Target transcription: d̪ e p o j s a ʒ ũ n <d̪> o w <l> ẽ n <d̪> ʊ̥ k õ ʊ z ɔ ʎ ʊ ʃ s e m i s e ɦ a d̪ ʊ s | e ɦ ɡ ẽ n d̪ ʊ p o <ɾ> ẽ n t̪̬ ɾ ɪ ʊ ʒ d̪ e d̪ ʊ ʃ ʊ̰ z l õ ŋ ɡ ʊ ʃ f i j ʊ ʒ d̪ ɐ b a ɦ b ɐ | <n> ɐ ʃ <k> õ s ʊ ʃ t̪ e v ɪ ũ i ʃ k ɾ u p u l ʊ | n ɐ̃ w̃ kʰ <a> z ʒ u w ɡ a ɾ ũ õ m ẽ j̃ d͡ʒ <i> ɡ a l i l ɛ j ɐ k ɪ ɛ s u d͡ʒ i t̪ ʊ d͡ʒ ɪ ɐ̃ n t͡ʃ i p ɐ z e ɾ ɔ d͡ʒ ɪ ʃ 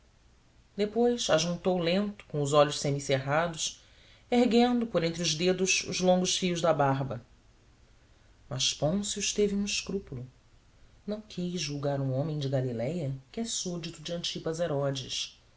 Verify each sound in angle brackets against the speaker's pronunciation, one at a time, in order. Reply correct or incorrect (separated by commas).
incorrect, correct, incorrect, correct, incorrect, incorrect, incorrect, incorrect